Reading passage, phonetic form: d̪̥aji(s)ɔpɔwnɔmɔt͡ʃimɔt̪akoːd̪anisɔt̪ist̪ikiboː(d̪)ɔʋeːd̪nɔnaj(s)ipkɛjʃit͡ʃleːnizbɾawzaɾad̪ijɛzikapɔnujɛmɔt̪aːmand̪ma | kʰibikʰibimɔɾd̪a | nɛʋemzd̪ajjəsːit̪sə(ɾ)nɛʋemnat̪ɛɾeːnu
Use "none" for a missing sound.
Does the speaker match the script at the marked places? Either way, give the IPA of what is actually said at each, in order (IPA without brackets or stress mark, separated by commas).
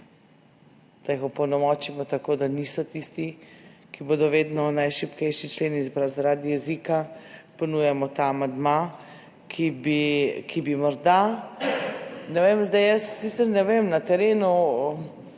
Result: x, d̪, ʃ, ɾ